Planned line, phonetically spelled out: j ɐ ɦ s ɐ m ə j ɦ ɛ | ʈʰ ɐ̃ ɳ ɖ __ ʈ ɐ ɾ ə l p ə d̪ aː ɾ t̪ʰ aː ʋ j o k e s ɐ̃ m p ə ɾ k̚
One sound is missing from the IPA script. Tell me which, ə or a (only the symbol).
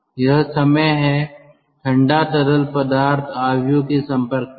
a